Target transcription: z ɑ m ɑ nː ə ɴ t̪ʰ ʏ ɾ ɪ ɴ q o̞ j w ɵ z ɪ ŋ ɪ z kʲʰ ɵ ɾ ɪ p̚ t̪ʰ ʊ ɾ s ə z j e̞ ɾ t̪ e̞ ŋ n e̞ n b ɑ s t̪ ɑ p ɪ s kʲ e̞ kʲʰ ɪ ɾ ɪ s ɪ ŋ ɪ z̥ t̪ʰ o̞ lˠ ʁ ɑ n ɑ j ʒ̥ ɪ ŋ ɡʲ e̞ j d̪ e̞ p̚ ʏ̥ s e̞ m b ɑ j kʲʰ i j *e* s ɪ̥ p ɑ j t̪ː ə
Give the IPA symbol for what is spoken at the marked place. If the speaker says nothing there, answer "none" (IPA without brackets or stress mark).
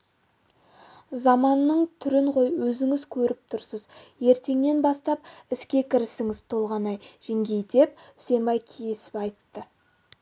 e